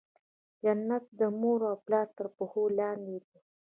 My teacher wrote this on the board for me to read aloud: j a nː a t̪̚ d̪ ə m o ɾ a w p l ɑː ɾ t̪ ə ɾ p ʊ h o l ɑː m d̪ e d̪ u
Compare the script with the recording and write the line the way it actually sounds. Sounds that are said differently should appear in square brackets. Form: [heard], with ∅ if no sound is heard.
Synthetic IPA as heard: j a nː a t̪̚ d̪ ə m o ɾ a w p l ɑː ɾ t̪ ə ɾ p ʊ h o l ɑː [n] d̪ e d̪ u